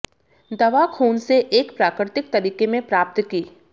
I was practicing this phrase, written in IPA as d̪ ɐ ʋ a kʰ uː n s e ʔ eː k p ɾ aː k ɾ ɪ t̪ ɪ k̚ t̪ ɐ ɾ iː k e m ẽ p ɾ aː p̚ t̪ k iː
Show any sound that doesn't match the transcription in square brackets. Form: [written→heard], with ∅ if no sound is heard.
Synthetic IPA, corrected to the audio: d̪ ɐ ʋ a kʰ uː n s e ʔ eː k p ɾ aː k ɾ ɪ t̪ ɪ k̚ t̪ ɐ ɾ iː k e m ẽ p ɾ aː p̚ t̪ k iː